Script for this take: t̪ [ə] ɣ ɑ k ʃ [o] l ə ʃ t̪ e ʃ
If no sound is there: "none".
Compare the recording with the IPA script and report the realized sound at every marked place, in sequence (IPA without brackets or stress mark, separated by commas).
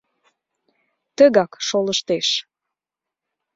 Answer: ə, o